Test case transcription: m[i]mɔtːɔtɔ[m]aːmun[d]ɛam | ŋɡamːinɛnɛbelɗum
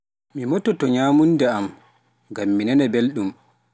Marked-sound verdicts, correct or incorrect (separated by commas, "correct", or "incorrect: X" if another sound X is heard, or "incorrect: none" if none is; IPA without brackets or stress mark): correct, incorrect: ɲ, correct